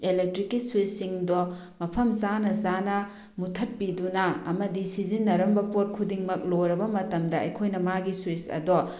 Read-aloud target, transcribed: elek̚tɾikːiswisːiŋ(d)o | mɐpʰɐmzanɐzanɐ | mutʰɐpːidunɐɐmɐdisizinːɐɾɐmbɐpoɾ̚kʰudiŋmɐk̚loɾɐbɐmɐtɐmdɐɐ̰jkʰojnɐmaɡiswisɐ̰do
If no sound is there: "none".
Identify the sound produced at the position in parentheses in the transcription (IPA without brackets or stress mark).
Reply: d